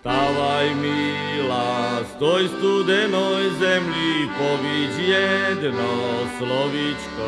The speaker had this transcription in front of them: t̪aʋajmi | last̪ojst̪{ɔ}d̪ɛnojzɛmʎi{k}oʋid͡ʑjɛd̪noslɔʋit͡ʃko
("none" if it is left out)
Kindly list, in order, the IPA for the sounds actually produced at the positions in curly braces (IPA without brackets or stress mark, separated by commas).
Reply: u, p